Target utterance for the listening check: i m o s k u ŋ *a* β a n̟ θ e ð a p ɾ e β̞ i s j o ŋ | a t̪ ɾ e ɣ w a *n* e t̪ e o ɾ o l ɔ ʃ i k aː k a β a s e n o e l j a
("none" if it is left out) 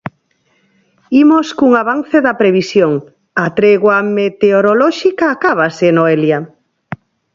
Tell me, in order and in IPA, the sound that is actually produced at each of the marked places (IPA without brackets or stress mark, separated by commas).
a, m